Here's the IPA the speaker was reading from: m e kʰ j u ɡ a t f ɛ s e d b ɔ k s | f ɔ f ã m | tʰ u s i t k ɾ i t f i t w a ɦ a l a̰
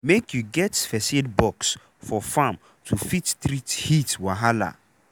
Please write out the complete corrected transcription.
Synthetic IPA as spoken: m e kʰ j u ɡ ɛ t f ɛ s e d b ɔ k s | f ɔ f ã m | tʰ u f i t t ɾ i t h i t w a ɦ a l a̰